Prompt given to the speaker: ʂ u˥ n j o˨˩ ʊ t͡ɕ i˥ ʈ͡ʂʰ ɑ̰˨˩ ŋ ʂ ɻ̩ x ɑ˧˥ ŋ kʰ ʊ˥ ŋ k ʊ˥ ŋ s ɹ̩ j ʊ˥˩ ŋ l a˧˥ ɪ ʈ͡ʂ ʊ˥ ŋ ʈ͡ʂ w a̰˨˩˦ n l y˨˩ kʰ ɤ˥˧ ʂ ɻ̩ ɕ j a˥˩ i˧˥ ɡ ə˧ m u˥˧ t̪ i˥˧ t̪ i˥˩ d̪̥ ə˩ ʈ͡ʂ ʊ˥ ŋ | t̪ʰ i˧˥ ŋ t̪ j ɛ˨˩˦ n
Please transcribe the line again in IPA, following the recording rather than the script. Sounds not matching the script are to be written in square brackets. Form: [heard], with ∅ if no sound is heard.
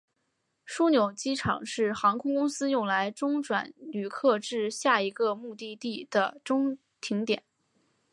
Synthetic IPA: ʂ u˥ n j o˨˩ ʊ t͡ɕ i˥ ʈ͡ʂʰ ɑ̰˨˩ ŋ ʂ ɻ̩ x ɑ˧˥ ŋ kʰ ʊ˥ ŋ k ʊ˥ ŋ s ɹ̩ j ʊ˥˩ ŋ l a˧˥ ɪ ʈ͡ʂ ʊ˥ ŋ ʈ͡ʂ w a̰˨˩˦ n l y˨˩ kʰ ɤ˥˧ [ʈ͡ʂ] ɻ̩ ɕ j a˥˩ i˧˥ ɡ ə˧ m u˥˧ t̪ i˥˧ t̪ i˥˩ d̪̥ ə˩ ʈ͡ʂ ʊ˥ ŋ | t̪ʰ i˧˥ ŋ t̪ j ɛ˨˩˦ n